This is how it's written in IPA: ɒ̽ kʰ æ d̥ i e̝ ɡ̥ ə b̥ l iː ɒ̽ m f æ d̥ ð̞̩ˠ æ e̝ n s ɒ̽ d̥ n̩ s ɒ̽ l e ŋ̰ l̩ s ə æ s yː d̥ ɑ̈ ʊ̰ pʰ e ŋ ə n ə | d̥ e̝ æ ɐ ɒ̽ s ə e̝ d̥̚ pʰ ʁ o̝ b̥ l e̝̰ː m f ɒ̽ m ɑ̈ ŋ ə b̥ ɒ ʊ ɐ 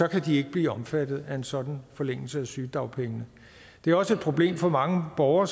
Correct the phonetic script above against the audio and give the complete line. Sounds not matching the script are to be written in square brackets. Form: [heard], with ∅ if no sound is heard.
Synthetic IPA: ɒ̽ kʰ æ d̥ i e̝ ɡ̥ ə b̥ l iː ɒ̽ m f æ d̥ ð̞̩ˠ æ e̝ n s ɒ̽ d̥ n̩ [f] ɒ̽ l e ŋ̰ l̩ s ə æ s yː d̥ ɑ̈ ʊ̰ pʰ e ŋ ə n ə | d̥ e̝ æ ɐ ɒ̽ s ə e̝ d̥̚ pʰ ʁ o̝ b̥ l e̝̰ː m f ɒ̽ m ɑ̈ ŋ ə b̥ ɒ ʊ ɐ